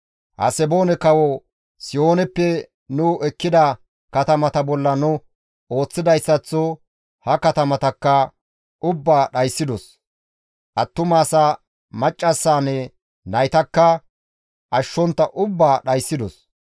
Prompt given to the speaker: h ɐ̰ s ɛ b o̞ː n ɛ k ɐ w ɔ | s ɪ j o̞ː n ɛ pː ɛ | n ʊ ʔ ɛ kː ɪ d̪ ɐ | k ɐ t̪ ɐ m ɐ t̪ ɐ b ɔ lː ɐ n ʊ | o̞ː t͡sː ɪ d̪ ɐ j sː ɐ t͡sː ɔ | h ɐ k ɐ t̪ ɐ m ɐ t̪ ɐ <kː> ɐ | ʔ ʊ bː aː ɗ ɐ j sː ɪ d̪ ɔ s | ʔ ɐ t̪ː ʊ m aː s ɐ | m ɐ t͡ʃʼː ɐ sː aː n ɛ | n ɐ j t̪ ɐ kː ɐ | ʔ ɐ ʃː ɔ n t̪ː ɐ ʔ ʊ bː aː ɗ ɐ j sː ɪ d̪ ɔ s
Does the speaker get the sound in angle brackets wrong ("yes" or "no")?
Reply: no